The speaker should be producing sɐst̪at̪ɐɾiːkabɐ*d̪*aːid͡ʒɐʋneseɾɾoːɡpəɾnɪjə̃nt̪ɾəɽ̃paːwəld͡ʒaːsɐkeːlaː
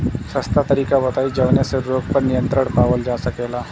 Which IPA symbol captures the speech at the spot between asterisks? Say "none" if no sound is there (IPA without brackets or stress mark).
t̪